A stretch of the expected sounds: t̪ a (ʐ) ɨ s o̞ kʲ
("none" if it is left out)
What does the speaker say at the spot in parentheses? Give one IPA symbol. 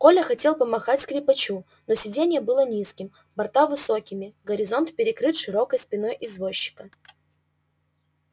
v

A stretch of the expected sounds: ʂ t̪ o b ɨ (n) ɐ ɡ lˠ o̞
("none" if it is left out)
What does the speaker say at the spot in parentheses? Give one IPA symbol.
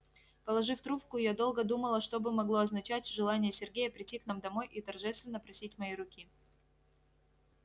m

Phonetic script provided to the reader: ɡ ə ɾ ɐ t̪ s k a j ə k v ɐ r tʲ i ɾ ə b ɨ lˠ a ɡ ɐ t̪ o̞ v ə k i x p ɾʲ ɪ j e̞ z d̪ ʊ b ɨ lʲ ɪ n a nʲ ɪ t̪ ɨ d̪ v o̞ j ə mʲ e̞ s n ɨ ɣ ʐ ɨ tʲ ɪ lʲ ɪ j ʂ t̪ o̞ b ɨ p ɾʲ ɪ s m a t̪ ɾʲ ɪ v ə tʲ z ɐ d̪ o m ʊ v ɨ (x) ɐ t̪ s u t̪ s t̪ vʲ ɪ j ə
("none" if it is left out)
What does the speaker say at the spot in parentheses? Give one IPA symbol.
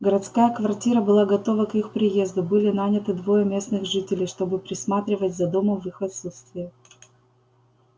x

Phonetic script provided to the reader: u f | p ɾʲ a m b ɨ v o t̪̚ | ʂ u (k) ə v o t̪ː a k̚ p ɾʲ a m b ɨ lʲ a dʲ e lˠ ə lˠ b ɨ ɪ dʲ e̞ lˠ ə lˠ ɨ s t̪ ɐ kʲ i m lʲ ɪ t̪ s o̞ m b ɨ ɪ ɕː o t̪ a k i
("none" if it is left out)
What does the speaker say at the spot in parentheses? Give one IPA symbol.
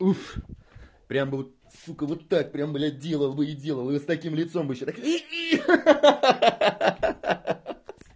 k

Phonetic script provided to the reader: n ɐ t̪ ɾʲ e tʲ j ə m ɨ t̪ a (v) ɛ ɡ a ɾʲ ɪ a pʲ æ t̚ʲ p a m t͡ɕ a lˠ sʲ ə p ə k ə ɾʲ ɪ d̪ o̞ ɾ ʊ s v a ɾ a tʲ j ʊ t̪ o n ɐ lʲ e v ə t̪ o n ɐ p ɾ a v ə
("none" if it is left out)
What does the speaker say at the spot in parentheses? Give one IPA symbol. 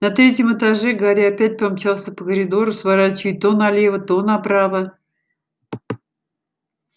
ʐ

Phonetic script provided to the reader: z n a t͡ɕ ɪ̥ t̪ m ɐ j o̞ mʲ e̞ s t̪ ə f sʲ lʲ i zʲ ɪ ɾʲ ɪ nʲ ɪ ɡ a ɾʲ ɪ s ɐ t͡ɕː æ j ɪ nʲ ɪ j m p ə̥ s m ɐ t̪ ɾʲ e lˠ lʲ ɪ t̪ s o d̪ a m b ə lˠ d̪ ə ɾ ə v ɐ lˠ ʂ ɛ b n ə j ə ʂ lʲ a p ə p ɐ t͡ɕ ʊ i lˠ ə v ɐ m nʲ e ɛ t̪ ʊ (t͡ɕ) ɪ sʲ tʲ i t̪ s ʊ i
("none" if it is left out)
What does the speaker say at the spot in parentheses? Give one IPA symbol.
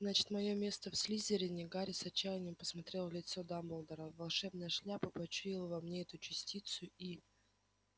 t͡ɕ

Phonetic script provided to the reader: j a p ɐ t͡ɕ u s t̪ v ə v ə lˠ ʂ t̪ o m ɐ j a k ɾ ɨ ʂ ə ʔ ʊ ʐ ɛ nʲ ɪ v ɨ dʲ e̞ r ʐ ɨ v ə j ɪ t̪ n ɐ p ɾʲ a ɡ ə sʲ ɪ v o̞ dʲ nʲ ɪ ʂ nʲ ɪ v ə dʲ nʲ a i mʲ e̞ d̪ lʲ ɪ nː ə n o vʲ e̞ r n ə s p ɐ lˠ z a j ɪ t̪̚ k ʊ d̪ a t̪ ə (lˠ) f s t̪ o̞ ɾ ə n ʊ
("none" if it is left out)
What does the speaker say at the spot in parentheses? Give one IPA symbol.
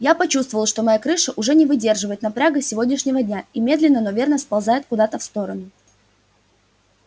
none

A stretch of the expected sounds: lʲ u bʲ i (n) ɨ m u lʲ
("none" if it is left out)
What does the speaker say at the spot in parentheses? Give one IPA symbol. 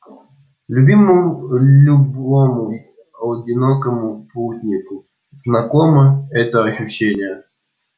m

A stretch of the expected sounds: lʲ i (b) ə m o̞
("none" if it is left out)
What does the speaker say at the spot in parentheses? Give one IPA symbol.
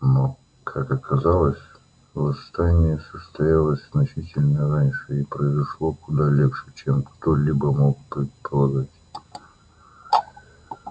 b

